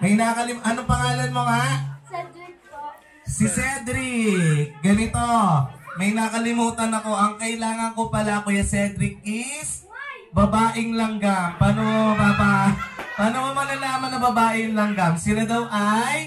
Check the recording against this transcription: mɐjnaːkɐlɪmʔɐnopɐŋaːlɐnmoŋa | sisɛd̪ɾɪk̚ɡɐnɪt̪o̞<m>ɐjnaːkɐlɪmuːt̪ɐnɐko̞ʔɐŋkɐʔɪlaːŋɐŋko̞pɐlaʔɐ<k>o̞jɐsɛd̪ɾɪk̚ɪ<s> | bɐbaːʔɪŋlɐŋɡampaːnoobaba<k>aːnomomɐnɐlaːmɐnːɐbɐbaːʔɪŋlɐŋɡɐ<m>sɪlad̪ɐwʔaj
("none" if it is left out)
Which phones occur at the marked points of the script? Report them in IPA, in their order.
m, k, s, p, m

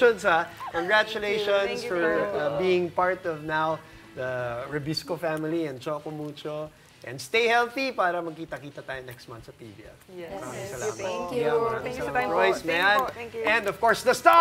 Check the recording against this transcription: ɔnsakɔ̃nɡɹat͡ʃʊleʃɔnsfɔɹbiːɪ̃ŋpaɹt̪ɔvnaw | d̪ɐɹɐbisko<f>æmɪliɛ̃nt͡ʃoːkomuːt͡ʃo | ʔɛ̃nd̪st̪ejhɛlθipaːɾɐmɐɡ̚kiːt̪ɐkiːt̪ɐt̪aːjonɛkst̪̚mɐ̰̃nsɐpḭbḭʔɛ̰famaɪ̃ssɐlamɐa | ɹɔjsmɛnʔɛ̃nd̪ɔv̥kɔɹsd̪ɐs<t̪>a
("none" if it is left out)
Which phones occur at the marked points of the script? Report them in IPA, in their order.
f, t̪

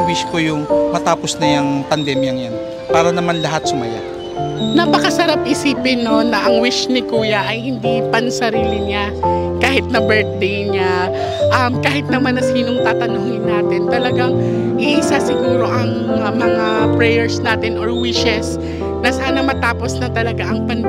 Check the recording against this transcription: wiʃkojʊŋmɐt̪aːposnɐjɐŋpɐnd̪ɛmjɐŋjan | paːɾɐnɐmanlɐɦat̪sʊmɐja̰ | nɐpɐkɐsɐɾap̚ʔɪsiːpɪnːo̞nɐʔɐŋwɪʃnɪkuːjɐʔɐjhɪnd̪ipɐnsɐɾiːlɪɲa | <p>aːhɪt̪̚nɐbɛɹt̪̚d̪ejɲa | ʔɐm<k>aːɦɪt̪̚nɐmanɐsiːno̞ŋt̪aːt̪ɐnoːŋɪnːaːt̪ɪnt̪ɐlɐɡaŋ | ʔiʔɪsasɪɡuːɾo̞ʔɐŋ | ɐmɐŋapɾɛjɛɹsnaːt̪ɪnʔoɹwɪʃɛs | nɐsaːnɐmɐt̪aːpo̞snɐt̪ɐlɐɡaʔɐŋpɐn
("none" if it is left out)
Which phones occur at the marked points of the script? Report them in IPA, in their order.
k, k

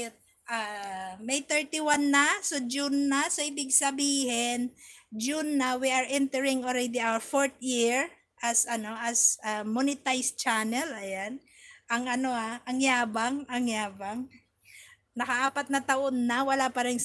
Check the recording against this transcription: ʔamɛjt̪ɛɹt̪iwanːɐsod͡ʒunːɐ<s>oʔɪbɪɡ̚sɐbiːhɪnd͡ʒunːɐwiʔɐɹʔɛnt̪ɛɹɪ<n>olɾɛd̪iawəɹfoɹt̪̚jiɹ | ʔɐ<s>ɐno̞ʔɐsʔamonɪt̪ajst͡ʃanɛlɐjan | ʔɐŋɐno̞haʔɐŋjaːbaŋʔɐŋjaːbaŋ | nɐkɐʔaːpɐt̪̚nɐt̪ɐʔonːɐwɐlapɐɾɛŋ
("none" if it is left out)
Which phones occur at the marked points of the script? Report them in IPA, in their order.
s, ŋ, s

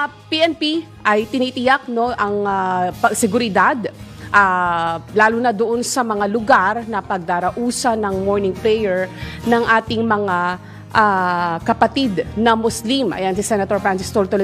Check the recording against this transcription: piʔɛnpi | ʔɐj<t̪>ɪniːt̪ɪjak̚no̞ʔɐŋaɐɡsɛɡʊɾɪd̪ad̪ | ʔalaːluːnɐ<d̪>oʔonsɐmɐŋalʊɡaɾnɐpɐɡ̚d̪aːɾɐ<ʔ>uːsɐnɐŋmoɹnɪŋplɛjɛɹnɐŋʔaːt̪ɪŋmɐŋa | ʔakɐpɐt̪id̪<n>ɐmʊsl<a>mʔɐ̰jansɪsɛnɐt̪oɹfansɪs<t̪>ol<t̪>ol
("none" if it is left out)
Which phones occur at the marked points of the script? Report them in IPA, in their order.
t̪, d̪, ʔ, n, i, t̪, t̪

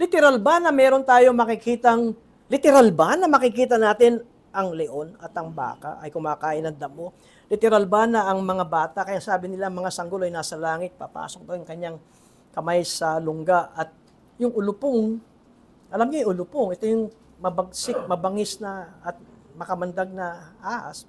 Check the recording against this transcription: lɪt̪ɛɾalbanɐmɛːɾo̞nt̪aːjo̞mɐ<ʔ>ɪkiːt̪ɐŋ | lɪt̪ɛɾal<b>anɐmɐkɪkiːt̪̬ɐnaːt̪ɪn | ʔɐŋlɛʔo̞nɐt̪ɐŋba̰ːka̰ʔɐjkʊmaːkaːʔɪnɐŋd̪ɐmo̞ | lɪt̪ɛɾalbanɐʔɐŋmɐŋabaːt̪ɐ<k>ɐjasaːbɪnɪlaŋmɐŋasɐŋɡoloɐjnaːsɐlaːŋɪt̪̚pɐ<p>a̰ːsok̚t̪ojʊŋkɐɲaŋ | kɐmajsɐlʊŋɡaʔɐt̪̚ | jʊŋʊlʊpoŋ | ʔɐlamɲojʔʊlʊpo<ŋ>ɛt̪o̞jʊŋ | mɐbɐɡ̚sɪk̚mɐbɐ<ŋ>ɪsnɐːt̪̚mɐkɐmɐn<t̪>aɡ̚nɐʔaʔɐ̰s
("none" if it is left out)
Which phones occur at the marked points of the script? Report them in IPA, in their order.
k, b, k, p, ŋ, ŋ, d̪

